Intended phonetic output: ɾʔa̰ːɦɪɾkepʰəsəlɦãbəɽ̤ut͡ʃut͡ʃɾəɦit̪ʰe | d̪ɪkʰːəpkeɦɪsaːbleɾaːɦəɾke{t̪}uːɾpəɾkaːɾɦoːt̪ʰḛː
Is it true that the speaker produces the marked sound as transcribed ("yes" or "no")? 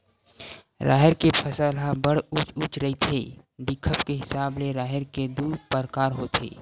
no